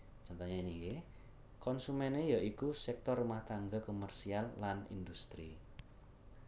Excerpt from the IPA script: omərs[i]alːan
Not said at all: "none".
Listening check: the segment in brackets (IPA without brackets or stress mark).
i